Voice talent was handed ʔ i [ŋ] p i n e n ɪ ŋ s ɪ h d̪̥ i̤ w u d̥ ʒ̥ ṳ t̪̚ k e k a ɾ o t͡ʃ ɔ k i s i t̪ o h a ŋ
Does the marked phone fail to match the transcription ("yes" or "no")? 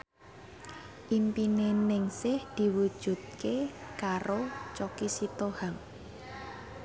yes